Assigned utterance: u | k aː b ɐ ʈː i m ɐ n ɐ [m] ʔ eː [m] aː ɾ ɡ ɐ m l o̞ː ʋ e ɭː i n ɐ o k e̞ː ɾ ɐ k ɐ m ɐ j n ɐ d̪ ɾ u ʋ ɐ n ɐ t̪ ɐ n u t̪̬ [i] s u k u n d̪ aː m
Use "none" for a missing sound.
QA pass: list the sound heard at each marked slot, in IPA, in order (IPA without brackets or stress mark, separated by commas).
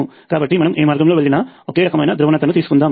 m, m, iː